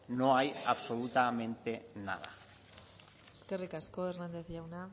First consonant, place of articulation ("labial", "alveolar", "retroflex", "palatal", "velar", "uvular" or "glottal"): alveolar